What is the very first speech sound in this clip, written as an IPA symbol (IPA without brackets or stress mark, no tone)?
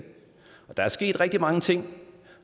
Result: ɒ̽